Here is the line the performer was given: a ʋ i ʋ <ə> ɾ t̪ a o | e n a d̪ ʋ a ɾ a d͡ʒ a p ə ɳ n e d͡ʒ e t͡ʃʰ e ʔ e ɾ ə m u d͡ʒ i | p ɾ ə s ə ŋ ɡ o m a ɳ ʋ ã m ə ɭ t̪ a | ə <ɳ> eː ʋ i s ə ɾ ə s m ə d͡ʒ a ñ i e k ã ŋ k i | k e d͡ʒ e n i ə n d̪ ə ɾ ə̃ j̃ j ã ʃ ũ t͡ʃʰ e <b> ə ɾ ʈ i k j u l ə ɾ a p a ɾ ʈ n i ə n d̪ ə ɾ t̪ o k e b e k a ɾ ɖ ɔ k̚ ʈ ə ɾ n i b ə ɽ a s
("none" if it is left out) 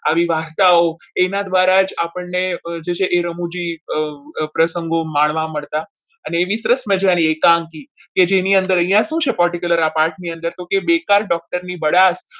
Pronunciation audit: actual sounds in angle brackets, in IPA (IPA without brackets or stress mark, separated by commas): a, n, p